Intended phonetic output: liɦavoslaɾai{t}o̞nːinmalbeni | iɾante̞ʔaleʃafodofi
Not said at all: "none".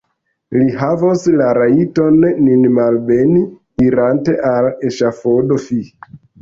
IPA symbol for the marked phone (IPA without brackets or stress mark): t